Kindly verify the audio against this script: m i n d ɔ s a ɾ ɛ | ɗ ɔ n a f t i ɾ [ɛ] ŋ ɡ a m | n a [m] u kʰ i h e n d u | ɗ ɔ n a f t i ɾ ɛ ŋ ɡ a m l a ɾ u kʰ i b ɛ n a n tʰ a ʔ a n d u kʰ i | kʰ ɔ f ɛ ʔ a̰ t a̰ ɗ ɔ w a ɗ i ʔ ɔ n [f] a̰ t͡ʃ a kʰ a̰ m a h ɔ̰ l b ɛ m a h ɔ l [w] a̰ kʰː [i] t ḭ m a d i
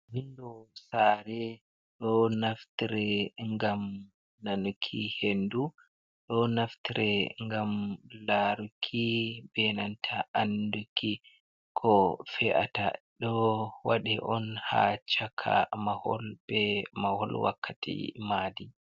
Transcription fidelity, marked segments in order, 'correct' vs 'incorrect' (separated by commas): correct, incorrect, incorrect, correct, incorrect